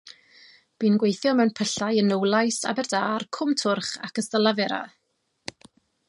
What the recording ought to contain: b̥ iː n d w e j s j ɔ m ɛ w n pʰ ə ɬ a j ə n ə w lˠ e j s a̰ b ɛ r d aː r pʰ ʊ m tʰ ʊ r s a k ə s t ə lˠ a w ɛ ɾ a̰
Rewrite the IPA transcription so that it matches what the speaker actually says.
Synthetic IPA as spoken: b̥ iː n ɡ w e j θ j ɔ m ɛ w n pʰ ə ɬ a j ə n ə w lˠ a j s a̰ b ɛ r d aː r kʰ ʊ m tʰ ʊ r χ a k ə s t ə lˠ a v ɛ ɾ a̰